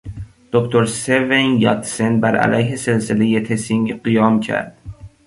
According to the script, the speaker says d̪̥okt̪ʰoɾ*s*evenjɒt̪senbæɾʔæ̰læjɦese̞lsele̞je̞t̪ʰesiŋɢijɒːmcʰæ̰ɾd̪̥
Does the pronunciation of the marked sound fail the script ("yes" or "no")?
no